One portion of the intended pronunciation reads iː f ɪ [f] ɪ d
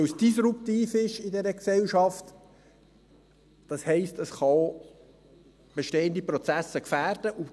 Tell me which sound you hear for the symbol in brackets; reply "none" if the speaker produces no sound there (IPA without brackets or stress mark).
ʃ